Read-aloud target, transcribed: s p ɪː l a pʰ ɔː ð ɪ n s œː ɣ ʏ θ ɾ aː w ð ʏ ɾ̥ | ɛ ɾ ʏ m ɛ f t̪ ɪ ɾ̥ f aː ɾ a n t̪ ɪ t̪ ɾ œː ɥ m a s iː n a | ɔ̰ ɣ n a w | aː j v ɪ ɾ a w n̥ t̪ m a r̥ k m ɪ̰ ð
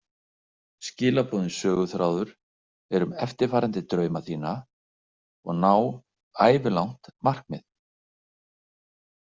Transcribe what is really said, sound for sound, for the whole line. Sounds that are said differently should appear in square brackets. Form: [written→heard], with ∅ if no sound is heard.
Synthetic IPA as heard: s [p→c] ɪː l a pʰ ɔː ð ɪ n s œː ɣ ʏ θ ɾ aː w ð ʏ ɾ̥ | ɛ ɾ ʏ m ɛ f t̪ ɪ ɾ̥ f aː ɾ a n t̪ ɪ t̪ ɾ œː ɥ m a [s→θ] iː n a | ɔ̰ ɣ n a w | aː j v ɪ [ɾ→l] a w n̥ t̪ m a r̥ k m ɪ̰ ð